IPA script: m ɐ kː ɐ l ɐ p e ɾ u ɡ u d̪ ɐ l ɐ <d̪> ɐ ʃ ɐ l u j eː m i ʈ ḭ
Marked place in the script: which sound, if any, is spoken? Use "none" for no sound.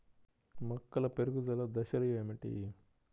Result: d̪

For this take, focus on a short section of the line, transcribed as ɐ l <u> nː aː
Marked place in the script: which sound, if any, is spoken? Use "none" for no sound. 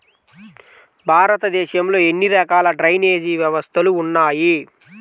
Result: uː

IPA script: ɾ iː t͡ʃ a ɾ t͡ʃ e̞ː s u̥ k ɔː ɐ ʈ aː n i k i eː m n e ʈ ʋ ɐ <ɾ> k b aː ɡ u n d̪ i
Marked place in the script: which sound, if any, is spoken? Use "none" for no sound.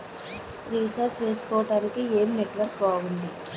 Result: ɾ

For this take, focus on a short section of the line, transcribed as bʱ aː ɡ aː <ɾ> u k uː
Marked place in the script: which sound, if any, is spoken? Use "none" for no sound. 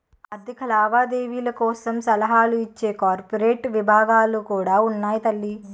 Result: l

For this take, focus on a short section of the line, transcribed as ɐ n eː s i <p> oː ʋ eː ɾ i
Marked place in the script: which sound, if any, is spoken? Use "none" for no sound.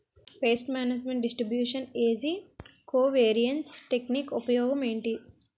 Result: k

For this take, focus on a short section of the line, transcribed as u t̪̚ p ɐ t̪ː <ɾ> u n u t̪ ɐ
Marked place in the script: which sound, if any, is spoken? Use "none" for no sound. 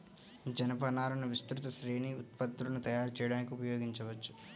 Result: ɾ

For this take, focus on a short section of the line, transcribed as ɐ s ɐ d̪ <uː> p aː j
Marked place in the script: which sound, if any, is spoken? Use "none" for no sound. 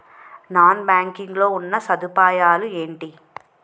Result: u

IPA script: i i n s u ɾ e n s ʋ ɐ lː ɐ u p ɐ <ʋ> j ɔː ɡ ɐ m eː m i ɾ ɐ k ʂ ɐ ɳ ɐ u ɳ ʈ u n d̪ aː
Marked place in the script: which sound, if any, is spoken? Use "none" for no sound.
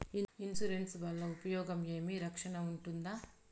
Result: none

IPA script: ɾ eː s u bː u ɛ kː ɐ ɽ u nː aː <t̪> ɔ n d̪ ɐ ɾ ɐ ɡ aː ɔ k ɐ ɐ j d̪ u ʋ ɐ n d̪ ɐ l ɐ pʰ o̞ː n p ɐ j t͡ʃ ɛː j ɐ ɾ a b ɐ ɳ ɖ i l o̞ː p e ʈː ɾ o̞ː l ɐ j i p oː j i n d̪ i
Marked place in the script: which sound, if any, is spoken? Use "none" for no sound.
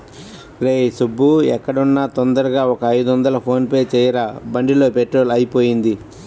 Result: t̪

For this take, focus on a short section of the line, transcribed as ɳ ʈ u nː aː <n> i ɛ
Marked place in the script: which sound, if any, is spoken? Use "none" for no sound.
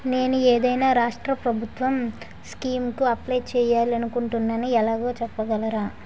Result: n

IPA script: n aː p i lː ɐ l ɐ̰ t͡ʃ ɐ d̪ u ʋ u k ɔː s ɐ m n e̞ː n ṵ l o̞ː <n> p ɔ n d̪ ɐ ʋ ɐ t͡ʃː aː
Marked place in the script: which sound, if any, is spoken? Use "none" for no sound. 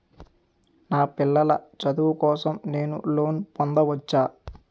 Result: n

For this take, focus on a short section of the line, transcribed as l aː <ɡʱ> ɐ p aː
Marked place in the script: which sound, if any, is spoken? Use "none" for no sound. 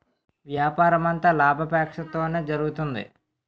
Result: bʱ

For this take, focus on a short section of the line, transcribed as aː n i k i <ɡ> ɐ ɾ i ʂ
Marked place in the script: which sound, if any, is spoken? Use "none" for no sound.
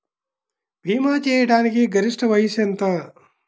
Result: ɡ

